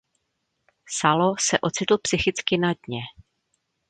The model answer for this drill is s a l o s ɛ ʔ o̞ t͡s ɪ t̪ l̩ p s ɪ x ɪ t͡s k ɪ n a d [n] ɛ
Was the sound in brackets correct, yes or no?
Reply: no